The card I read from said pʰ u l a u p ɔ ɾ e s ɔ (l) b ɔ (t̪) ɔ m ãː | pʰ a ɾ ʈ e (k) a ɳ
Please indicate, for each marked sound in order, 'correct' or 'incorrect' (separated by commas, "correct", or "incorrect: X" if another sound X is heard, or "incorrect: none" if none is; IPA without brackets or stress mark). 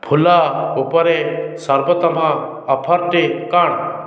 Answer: incorrect: ɾ, correct, correct